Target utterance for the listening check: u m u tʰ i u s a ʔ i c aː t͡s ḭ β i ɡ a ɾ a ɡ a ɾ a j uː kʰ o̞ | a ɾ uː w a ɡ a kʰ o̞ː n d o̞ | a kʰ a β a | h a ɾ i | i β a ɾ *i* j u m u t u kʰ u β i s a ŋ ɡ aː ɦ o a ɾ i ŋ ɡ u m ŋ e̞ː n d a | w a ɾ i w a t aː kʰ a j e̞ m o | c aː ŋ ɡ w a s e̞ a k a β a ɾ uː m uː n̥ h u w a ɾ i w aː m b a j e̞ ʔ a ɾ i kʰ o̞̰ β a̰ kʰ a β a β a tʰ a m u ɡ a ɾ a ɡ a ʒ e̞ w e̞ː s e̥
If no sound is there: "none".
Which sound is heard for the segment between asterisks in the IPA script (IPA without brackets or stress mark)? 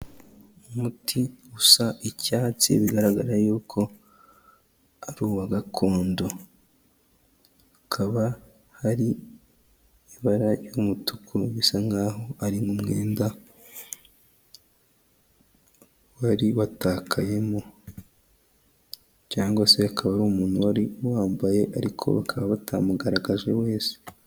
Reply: a